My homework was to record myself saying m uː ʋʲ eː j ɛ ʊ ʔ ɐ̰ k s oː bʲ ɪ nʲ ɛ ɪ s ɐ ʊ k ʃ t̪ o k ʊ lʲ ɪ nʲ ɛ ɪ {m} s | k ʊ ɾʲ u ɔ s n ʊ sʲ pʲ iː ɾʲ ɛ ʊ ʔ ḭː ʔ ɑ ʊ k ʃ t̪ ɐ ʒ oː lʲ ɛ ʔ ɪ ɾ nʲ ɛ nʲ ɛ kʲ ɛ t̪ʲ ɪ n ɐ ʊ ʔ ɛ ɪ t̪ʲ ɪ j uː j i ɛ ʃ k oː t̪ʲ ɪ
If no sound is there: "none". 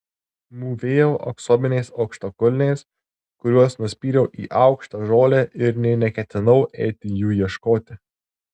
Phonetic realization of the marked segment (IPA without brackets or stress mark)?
none